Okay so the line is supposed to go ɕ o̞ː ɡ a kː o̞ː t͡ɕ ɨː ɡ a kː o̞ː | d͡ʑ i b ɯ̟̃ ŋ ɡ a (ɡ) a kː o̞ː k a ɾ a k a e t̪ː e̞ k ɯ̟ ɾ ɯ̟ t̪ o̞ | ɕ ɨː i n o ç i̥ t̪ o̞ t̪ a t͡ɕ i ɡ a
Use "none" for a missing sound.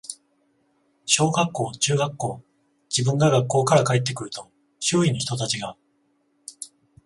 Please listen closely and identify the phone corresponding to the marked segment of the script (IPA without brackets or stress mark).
ɡ